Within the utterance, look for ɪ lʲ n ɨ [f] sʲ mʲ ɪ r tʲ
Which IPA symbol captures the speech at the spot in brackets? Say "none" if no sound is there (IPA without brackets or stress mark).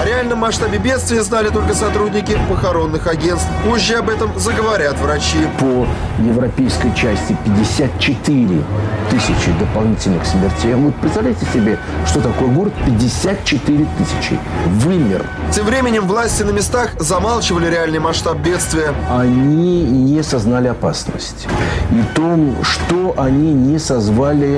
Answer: x